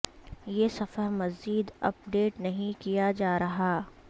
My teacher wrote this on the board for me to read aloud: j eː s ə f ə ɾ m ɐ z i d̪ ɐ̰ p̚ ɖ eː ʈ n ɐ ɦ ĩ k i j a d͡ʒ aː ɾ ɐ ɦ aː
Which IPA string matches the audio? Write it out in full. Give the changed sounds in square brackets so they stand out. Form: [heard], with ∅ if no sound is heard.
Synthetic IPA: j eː s [ɐ] f ə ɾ m ɐ z [iː] d̪ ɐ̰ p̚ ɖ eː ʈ n ɐ ɦ ĩ k i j a d͡ʒ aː ɾ ɐ ɦ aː

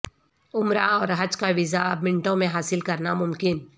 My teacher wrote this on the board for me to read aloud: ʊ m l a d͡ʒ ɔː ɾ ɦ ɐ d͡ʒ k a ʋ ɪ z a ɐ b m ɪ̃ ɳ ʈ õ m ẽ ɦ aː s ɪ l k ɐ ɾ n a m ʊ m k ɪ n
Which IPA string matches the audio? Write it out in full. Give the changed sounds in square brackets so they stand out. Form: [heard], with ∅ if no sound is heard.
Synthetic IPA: ʊ m [ɾ] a [∅] ɔː ɾ ɦ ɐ d͡ʒ k a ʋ ɪ z a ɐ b m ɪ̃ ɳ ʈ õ m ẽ ɦ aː s ɪ l k ɐ ɾ n a m ʊ m k ɪ n

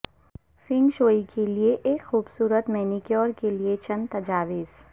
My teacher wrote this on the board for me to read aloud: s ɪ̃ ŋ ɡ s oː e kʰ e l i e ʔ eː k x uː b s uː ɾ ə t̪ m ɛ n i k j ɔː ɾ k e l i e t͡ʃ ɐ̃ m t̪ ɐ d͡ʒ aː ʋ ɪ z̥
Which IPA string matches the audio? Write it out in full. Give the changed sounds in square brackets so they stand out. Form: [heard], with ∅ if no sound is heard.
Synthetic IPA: [f] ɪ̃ ŋ ɡ [ʃ] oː [i] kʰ e l i e ʔ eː k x uː b s uː ɾ ə t̪ m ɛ n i k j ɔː ɾ k e l i e t͡ʃ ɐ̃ [n] t̪ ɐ d͡ʒ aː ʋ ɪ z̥

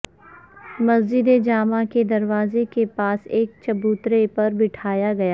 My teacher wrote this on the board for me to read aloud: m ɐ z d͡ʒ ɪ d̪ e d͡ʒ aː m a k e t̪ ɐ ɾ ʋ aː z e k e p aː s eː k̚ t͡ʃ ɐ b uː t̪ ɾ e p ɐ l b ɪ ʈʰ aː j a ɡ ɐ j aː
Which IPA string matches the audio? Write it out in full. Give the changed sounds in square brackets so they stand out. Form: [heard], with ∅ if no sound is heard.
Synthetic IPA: m ɐ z d͡ʒ ɪ d̪ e d͡ʒ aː m a k e [d̪] ɐ ɾ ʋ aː z e k e p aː s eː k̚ t͡ʃ ɐ b uː t̪ ɾ e p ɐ [ɾ] b ɪ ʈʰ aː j a ɡ ɐ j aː

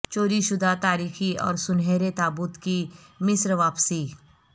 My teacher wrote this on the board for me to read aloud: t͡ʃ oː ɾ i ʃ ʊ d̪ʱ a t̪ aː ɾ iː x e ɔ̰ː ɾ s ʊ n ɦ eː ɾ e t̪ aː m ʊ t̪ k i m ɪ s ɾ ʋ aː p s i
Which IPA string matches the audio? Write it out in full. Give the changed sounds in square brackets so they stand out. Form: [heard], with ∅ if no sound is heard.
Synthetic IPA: t͡ʃ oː ɾ i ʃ ʊ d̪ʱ a t̪ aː ɾ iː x [i] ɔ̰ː ɾ s ʊ n ɦ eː ɾ e t̪ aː [b] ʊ t̪ k i m ɪ s ɾ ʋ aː p s i

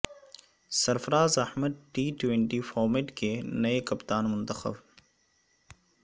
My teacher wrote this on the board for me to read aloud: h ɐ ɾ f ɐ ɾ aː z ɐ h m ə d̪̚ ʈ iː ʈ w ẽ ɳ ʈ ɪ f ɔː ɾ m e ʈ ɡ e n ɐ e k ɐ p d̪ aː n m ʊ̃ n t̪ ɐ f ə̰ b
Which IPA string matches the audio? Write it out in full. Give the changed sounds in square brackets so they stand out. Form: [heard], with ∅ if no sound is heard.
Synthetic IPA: [s] ɐ ɾ f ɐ ɾ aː z ɐ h m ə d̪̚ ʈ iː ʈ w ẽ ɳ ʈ [i] f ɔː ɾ m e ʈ [k] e n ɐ e k ɐ p [t̪] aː n m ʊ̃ n t̪ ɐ [x] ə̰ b

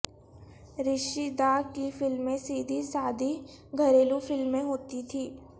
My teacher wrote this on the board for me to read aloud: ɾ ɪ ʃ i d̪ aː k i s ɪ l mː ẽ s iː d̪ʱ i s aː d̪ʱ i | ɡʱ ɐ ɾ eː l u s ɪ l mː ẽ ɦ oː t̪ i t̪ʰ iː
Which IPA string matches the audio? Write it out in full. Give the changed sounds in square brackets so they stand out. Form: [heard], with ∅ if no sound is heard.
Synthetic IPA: ɾ ɪ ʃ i d̪ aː k i [f] ɪ l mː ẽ s iː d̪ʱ i s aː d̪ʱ i | ɡʱ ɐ ɾ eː l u [f] ɪ l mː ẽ ɦ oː t̪ i t̪ʰ iː

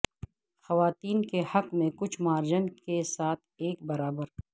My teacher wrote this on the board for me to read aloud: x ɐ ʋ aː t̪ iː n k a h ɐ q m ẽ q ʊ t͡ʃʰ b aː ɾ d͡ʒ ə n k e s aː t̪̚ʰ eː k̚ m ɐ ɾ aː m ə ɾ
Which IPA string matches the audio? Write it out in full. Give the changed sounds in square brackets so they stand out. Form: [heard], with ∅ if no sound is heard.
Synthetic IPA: x ɐ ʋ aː t̪ iː n k [e] h ɐ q m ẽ [k] ʊ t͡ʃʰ [m] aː ɾ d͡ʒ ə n k e s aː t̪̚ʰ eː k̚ [b] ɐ ɾ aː [b] ə ɾ

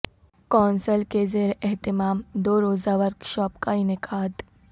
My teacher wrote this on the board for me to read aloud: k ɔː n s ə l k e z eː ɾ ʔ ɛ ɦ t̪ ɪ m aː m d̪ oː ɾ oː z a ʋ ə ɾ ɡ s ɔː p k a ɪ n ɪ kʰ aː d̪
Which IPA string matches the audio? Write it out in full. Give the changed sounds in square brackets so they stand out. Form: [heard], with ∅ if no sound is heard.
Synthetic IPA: k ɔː n s ə l k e z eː ɾ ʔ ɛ ɦ t̪ ɪ m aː m d̪ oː ɾ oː z a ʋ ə ɾ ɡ [ʃ] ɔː p k a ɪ n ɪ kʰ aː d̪

